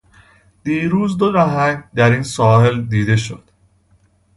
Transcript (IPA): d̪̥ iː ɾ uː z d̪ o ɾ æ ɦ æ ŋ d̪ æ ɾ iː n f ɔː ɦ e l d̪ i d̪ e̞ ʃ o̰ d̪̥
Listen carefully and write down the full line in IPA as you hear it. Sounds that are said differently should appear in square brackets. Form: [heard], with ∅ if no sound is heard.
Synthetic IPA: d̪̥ iː ɾ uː z d̪ o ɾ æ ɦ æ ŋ d̪ æ ɾ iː n [s] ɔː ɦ e l d̪ [iː] d̪ e̞ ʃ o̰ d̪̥